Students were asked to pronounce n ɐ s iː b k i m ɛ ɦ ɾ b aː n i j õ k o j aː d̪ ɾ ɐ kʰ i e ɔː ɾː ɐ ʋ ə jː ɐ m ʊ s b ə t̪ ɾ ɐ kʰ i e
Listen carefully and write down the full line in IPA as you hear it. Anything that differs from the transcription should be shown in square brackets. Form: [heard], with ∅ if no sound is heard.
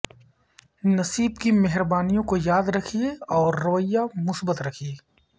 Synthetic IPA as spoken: n ɐ s iː b k i m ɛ ɦ ɾ b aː n i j õ k o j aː d̪ ɾ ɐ kʰ i e ɔː ɾː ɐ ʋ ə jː [a] m ʊ s b ə t̪ ɾ ɐ kʰ i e